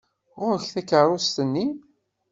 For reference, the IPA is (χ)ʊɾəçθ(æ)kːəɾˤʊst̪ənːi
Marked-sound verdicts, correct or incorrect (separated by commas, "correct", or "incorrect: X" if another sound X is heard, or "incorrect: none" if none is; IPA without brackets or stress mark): incorrect: ʁ, correct